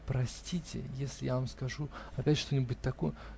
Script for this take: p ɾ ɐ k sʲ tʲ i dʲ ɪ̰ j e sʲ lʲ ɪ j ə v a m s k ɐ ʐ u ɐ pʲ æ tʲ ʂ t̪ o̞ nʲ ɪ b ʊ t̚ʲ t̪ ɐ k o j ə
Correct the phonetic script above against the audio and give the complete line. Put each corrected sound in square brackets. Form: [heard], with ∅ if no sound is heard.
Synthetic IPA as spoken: p ɾ ɐ [∅] sʲ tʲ i [tʲ] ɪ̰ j e sʲ lʲ ɪ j [a] v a m s k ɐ ʐ u ɐ pʲ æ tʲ ʂ t̪ o̞ nʲ ɪ b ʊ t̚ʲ t̪ ɐ k o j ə